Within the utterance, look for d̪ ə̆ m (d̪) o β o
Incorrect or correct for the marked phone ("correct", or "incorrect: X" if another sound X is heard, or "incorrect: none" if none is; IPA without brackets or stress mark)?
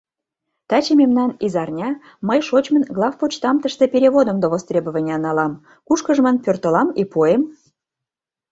correct